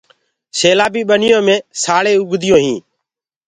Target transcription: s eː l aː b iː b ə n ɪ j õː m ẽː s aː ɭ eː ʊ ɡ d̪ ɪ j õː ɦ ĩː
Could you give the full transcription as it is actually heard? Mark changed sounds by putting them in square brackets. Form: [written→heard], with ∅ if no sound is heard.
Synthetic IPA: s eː l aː b iː [b→ɓ] ə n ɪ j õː m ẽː s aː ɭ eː ʊ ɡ d̪ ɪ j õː ɦ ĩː